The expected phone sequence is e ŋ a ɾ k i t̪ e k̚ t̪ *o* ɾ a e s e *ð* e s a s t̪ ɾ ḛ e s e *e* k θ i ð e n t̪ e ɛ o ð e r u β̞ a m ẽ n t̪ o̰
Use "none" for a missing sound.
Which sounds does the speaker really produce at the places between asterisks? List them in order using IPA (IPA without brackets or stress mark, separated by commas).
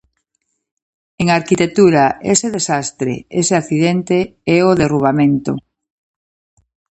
u, ð, a